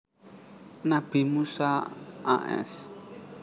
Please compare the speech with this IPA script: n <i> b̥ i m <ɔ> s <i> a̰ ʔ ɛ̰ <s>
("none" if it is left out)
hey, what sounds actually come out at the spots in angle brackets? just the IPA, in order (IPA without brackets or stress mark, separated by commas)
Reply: a, u, a, s